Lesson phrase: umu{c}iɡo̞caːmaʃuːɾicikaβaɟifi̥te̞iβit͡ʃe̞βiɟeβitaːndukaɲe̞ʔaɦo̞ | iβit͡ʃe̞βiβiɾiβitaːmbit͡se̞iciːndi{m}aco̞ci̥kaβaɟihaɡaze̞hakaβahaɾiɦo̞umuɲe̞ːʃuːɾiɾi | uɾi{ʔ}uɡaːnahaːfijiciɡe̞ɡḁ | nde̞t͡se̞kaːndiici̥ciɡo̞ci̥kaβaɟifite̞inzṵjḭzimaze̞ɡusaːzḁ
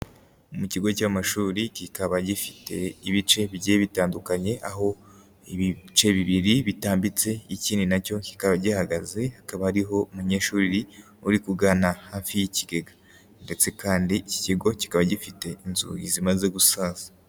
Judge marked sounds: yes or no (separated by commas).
yes, no, no